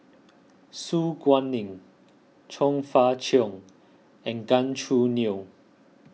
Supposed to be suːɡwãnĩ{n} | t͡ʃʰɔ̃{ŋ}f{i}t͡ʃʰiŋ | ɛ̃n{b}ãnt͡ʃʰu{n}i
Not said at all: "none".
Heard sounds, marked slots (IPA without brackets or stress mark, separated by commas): ŋ, ŋ, a, ɡ, n